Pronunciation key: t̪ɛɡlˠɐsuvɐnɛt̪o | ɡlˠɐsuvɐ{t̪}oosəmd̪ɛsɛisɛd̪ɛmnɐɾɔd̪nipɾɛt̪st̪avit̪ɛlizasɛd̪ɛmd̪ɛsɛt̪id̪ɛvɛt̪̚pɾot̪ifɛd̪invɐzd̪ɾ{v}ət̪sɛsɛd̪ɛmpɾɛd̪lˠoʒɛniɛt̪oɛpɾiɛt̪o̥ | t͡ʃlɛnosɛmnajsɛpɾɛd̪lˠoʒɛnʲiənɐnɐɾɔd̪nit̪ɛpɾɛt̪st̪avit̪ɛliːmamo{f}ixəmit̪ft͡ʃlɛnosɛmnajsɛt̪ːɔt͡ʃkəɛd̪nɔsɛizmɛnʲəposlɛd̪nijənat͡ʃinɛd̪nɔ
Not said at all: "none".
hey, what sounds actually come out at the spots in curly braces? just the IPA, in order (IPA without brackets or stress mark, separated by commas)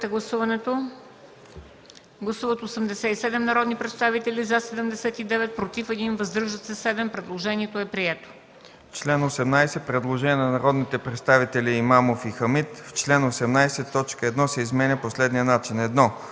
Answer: t̪, ʒ, f